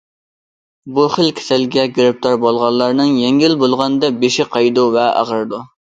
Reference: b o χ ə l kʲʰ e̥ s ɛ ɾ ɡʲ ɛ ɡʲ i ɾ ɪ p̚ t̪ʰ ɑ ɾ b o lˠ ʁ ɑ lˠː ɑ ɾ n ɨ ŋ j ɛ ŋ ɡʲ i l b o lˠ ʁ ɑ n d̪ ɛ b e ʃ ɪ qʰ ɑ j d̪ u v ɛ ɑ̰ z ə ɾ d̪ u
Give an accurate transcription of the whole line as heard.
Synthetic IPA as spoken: b u χ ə l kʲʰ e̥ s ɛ l ɡʲ ɛ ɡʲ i ɾ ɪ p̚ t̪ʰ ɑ ɾ b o lˠ ʁ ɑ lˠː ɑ ɾ n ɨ ŋ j ɛ ŋ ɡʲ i l b o lˠ ʁ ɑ n d̪ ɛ b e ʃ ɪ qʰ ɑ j d̪ u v ɛ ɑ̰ ʁ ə ɾ d̪ u